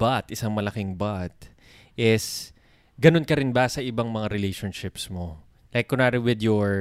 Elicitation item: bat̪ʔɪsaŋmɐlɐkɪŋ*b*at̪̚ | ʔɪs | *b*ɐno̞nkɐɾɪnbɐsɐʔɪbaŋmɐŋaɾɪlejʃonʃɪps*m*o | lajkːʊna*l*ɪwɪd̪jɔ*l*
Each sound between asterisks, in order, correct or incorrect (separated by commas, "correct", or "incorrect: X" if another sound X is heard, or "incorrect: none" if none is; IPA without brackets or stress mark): correct, incorrect: ɡ, correct, incorrect: ɾ, incorrect: ɹ